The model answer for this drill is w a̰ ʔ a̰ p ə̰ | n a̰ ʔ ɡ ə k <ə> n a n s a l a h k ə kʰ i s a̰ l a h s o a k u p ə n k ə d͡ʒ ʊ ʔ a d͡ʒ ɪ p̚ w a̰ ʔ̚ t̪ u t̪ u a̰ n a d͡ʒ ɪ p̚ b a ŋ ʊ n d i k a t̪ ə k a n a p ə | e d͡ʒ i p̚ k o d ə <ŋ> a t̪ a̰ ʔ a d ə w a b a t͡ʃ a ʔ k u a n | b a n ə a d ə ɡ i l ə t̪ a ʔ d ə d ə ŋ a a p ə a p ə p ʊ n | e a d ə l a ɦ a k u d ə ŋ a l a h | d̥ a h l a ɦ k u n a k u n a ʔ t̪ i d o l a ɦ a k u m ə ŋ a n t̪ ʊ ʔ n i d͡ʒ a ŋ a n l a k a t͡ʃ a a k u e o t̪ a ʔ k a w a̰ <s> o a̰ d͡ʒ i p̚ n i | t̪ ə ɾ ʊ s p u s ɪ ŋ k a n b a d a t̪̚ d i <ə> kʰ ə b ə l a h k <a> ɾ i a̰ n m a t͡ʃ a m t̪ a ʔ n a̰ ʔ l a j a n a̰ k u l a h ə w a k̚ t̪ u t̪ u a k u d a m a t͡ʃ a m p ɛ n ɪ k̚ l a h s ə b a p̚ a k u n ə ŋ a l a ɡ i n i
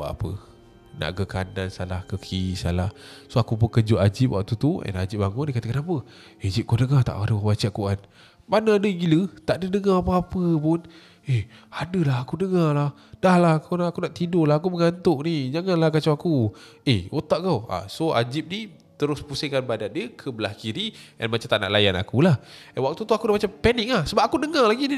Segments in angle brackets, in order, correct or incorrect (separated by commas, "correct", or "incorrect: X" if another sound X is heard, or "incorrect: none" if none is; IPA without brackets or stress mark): incorrect: a, correct, correct, correct, incorrect: i